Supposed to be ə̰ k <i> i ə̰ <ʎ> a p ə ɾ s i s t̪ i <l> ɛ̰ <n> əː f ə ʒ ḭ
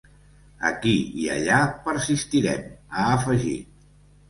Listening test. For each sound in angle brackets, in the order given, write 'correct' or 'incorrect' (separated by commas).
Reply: correct, correct, incorrect, incorrect